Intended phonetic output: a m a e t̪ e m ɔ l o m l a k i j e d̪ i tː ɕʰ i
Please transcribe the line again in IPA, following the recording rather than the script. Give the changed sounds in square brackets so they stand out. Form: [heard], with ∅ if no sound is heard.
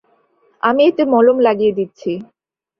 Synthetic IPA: a m [i] e t̪ e m ɔ l o m l a [ɡ] i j e d̪ i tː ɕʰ i